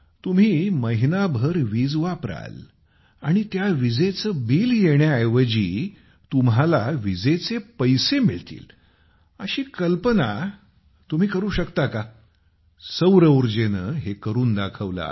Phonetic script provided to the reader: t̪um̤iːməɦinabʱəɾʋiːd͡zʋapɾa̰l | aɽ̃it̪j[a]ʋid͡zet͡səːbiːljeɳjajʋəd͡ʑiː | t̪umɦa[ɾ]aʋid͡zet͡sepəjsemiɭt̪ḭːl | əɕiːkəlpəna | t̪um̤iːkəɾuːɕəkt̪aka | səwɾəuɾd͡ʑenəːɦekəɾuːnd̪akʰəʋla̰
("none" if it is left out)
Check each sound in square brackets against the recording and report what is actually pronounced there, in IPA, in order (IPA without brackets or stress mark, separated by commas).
a, l